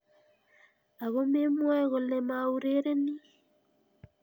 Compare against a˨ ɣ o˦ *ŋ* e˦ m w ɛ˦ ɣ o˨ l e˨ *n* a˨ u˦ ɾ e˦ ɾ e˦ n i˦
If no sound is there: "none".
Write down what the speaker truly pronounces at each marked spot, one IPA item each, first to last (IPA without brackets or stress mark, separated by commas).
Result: m, m